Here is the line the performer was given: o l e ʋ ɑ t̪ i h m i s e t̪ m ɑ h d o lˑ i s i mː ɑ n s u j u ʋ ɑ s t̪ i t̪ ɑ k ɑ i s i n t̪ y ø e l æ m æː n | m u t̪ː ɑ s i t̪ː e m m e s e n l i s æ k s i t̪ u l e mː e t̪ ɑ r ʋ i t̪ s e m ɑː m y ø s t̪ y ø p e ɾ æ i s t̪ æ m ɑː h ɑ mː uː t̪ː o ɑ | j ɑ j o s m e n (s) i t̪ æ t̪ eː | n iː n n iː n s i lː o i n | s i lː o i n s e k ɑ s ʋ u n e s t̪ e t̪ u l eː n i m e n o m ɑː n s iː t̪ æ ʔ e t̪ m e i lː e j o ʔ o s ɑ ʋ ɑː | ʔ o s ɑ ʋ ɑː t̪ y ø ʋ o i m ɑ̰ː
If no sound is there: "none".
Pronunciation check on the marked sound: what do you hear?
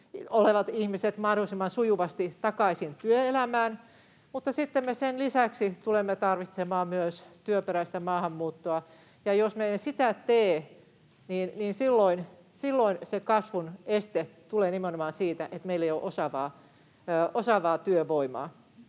s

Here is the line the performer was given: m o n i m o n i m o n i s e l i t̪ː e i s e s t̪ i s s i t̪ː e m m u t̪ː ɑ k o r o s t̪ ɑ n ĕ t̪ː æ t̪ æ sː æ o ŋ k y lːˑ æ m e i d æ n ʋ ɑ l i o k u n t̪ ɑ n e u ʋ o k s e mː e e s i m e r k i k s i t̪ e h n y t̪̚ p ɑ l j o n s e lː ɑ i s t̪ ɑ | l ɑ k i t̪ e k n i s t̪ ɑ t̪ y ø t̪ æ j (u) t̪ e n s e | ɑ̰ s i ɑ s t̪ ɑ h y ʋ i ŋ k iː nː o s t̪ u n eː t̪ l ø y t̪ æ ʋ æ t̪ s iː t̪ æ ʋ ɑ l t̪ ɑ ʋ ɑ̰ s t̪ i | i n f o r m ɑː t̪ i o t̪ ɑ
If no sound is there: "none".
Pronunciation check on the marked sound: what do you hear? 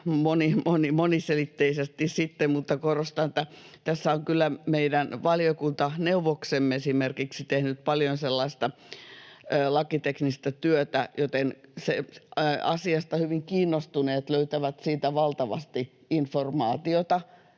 o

